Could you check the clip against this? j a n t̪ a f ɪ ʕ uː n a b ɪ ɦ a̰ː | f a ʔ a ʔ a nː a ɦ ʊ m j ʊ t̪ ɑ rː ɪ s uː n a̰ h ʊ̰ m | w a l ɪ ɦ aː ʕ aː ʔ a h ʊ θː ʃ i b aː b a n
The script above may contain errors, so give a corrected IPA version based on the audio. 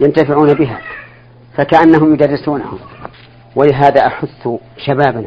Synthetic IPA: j a n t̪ a f ɪ ʕ uː n a b ɪ ɦ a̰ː | f a k a ʔ a nː a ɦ ʊ m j ʊ d̪ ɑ rː ɪ s uː n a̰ h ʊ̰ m | w a l ɪ ɦ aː ð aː ʔ a ħ ʊ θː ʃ a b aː b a n